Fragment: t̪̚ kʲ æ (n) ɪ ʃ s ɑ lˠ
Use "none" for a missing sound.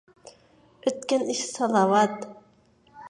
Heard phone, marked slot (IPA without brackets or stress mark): n